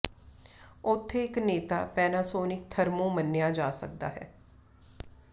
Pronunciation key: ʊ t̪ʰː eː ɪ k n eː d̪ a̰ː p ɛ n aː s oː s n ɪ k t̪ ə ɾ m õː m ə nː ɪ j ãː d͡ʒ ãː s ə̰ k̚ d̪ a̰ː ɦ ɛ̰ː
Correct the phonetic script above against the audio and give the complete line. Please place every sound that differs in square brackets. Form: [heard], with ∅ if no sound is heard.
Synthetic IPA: ʊ t̪ʰː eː ɪ k n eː [t̪] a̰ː p [ɛː] n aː s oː [∅] n ɪ k [t̪ʰ] ə ɾ m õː m ə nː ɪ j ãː d͡ʒ [aː] s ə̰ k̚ d̪ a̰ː ɦ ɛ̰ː